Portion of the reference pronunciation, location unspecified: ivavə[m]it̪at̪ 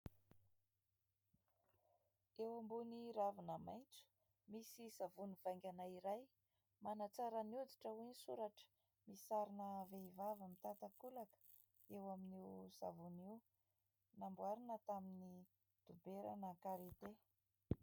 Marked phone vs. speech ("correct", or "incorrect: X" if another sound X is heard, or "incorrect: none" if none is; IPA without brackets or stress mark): correct